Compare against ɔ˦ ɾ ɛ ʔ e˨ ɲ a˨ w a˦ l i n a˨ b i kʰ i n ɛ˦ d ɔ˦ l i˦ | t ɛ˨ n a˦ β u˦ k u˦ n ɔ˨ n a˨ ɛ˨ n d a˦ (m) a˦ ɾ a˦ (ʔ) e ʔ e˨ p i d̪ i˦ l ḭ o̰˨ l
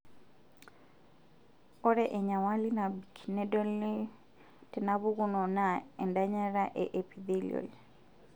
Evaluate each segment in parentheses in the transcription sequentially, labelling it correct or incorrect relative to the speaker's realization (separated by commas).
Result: incorrect, correct